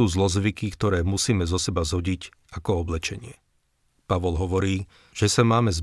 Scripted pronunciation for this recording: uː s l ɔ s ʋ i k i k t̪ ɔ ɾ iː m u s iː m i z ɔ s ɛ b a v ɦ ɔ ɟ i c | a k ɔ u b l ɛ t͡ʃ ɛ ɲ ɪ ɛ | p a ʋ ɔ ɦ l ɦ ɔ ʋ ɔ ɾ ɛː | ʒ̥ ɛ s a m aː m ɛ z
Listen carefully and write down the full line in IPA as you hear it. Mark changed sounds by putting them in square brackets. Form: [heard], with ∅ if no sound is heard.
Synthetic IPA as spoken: uː [z] l ɔ [z] ʋ i k i k t̪ ɔ ɾ [ɛː] m u s iː m [ɛ] z ɔ s ɛ b a [z] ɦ ɔ ɟ i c | a k ɔ [ɔ] b l ɛ t͡ʃ ɛ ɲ ɪ ɛ | p a ʋ ɔ [∅] l ɦ ɔ ʋ ɔ ɾ [iː] | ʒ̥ ɛ s a m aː m ɛ z